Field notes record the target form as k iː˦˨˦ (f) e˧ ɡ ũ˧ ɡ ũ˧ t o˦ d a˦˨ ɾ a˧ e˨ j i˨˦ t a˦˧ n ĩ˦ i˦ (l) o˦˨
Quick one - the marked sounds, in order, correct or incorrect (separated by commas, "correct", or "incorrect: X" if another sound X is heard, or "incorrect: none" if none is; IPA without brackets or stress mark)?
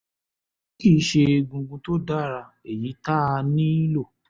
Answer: incorrect: ʃ, correct